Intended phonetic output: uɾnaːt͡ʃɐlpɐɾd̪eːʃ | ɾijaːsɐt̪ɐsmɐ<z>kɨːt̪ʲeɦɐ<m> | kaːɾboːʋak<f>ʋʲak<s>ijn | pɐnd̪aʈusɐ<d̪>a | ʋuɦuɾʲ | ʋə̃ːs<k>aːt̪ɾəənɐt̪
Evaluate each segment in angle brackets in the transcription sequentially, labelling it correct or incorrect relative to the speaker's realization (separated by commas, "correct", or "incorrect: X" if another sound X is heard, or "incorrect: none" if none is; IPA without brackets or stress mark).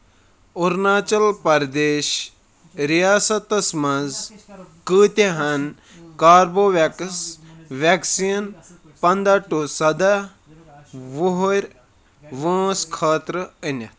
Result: correct, incorrect: n, incorrect: s, correct, correct, incorrect: kʰ